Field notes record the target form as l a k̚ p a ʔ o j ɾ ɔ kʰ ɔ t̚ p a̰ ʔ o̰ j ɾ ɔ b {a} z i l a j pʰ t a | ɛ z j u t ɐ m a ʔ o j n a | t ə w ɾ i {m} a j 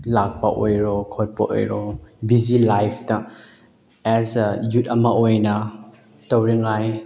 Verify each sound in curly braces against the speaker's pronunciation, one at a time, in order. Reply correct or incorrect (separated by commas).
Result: incorrect, incorrect